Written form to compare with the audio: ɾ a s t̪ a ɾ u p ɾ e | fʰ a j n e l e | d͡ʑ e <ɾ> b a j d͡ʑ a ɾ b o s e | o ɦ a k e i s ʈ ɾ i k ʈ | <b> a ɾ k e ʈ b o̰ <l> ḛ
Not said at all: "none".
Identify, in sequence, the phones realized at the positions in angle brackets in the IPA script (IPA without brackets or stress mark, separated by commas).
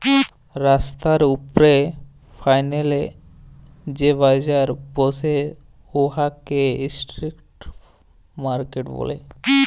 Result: none, m, l